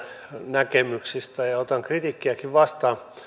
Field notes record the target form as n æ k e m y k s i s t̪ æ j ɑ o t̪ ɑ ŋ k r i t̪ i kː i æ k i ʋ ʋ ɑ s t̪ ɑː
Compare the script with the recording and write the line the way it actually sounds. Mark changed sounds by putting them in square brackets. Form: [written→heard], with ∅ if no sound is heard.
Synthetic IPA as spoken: n æ k e m y k s i s t̪ æ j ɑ o t̪ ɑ ŋ k r i t̪ i kː i æ k i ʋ ʋ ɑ s t̪ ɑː